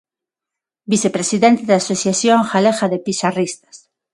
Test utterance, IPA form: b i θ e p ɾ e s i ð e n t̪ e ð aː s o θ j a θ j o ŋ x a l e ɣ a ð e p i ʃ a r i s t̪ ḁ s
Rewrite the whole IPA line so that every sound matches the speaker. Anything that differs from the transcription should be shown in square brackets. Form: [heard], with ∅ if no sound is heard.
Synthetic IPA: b i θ e p ɾ e s i ð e n t̪ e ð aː s o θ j a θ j o ŋ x a l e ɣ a ð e p i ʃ a r i s t̪ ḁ s